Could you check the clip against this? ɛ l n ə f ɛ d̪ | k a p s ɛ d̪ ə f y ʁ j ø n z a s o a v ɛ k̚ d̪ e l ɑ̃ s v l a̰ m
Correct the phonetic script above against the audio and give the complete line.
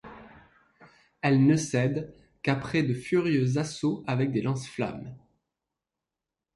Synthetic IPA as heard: ɛ l n ə s ɛ d̪ | k a p χ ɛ d̪ ə f y ʁ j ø z a s o a v ɛ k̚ d̪ e l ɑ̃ s f l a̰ m